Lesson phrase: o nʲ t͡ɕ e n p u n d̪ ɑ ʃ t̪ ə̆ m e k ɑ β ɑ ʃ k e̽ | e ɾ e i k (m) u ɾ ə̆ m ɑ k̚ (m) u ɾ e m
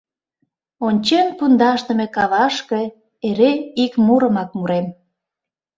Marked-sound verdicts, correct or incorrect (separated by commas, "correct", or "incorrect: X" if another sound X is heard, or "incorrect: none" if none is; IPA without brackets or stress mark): correct, correct